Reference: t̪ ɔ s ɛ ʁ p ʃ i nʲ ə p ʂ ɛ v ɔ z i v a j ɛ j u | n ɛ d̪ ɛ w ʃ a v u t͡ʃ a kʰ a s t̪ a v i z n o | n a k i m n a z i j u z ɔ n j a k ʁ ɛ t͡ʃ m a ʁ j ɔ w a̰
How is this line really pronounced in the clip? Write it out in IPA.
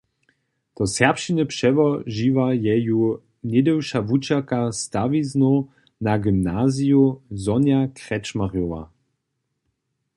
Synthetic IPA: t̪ ɔ s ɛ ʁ p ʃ i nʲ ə p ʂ ɛ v ɔ ʒ i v a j ɛ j u | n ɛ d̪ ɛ w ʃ a v u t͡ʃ a k a s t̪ a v i z n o | n a ɡ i m n a z i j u z ɔ n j a k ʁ ɛ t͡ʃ m a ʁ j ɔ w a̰